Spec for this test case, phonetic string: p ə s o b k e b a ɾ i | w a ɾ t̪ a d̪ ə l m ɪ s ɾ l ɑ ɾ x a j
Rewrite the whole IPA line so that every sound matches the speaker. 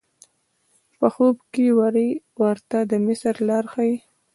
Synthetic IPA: p ə x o b k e w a ɾ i | w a ɾ t̪ a d̪ ə m ɪ s ɾ l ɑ ɾ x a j